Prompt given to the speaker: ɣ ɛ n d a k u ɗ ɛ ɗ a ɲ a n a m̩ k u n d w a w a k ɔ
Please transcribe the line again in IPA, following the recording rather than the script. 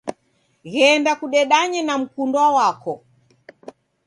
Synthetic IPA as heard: ɣ ɛ n d a k u ɗ ɛ ɗ a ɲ ɛ n a m̩ k u n d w a w a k ɔ